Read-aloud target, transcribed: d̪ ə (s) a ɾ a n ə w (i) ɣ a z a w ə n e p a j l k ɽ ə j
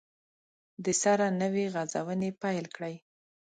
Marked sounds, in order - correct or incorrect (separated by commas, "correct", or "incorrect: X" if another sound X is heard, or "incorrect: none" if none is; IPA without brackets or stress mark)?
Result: correct, incorrect: e